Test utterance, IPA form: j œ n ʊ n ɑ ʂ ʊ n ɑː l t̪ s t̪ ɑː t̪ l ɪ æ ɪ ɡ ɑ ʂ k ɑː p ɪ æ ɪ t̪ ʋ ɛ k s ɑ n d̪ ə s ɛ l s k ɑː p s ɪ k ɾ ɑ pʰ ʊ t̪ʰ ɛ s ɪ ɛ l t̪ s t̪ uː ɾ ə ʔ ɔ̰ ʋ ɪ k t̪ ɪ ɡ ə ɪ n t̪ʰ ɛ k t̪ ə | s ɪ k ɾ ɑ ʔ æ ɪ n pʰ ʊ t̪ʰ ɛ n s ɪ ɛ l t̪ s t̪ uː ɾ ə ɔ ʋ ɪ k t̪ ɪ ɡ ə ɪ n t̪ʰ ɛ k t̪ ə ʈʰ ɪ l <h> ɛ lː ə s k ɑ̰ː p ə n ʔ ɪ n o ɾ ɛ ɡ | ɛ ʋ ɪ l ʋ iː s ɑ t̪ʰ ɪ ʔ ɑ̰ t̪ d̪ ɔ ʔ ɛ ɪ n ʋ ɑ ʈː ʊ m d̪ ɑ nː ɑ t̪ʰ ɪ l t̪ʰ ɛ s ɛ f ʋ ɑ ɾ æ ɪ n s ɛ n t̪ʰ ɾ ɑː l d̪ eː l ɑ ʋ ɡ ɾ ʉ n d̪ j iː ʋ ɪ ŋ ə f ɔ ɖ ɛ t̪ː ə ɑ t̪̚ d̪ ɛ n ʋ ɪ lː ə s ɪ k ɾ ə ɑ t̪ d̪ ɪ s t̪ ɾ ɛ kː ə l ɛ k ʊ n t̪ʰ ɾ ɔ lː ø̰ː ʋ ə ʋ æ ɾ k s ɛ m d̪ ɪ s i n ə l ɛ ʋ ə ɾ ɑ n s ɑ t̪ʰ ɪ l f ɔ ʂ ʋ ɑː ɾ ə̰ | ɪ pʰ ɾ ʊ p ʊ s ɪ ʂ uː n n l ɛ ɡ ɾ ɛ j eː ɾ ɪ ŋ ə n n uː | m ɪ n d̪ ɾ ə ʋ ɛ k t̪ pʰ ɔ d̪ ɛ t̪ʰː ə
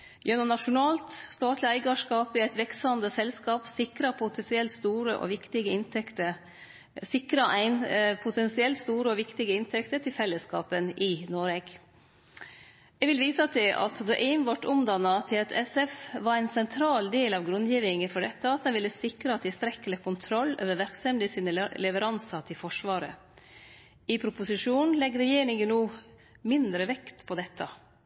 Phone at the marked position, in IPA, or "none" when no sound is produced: f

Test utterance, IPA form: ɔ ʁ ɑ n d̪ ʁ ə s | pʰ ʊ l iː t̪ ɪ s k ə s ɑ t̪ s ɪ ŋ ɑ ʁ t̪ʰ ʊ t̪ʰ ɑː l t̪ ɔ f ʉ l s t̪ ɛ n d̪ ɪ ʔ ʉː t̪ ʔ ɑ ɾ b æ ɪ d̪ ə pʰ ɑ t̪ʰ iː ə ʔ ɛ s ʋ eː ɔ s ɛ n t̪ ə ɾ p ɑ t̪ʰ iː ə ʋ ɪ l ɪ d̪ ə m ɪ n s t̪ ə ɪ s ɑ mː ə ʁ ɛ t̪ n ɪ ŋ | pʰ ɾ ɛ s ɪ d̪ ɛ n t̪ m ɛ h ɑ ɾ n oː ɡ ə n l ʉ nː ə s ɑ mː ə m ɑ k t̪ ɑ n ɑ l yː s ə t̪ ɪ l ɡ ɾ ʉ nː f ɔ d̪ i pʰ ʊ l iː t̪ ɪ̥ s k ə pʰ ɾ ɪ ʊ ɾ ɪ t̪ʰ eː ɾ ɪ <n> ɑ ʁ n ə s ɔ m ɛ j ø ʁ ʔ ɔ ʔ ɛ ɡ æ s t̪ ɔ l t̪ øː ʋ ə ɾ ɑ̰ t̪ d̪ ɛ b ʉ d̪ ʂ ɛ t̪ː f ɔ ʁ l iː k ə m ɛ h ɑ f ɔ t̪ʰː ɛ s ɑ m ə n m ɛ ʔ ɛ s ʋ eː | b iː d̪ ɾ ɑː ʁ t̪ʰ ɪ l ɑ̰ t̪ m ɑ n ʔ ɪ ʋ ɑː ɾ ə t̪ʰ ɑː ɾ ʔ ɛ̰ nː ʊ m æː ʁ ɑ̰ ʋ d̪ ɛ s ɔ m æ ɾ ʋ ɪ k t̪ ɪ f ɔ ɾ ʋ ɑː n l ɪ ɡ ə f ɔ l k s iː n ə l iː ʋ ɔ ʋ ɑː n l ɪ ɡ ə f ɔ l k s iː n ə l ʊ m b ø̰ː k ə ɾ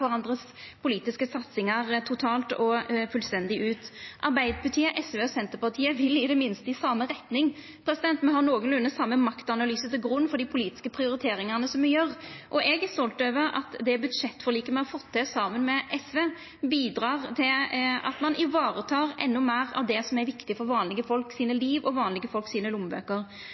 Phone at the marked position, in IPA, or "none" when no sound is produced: ŋ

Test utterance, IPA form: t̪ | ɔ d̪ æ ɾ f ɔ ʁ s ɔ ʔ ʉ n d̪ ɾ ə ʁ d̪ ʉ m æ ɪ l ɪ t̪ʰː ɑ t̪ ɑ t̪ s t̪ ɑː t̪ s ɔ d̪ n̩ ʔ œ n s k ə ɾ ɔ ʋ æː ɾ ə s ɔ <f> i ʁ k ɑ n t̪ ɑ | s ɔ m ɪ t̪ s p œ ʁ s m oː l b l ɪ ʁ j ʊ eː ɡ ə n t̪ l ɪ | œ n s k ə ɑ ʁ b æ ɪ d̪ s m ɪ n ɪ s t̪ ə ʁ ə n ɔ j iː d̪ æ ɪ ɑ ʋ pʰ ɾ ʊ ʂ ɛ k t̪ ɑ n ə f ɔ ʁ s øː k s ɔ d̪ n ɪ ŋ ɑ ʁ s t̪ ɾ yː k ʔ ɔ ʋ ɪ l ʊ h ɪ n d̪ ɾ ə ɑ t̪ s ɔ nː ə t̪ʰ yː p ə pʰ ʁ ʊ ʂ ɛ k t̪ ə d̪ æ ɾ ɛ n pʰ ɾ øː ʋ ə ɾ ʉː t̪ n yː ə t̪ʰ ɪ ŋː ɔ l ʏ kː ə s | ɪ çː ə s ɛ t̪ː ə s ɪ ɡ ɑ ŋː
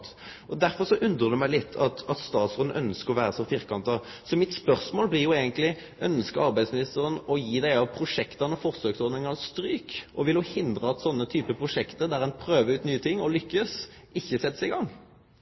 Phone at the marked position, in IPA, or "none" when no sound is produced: f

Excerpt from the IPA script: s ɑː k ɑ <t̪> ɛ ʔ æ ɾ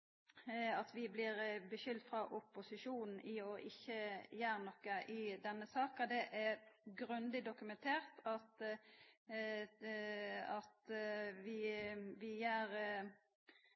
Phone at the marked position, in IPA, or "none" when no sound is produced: d̪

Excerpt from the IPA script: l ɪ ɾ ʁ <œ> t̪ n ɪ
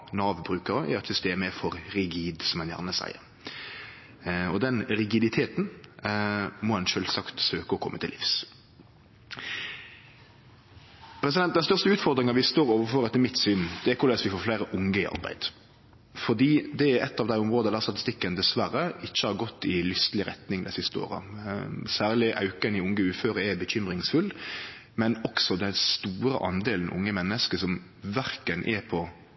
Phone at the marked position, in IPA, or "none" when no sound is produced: ɛ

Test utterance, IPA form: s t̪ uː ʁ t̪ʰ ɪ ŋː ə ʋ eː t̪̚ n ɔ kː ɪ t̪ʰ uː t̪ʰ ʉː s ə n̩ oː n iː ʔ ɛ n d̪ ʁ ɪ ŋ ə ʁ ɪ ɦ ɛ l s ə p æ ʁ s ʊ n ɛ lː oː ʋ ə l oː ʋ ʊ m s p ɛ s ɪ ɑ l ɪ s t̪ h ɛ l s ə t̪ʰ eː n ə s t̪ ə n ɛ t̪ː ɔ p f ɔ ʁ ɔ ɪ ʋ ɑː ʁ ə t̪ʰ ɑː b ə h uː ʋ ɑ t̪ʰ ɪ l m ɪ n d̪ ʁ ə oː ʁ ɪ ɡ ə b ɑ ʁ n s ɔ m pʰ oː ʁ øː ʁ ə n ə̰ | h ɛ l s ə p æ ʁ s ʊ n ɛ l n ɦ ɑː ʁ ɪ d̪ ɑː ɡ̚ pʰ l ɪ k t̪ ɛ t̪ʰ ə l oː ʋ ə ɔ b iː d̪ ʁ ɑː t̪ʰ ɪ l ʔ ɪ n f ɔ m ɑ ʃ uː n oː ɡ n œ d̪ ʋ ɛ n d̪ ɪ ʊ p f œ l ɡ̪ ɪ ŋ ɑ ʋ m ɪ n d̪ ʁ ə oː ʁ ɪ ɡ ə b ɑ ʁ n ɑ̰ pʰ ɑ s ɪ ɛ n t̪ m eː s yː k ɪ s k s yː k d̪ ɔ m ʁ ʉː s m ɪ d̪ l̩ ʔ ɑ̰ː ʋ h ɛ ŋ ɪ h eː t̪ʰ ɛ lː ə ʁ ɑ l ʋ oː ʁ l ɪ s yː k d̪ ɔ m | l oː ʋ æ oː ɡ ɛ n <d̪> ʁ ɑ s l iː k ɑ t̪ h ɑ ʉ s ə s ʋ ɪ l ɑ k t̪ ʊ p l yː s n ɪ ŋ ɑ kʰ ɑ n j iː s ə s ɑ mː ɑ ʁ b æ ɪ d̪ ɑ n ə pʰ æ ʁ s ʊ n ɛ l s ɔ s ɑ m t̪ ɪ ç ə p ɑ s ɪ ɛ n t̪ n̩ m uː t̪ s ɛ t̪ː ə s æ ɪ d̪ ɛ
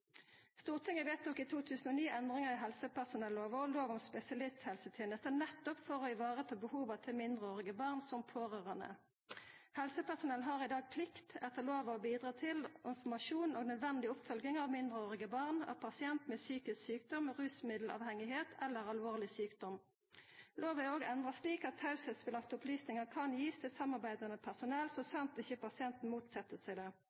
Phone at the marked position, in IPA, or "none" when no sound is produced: d̪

